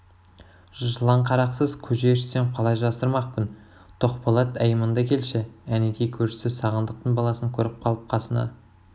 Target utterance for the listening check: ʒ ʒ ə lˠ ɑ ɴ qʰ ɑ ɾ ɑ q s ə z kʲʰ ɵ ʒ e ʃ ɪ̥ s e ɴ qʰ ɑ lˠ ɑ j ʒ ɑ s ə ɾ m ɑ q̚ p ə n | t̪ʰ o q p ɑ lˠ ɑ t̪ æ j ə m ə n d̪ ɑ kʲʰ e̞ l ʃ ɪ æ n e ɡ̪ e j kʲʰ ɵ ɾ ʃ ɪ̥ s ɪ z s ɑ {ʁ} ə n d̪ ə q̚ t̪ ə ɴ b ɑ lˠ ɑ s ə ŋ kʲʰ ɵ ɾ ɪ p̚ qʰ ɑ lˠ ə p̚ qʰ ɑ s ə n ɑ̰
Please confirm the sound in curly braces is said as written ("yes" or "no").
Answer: yes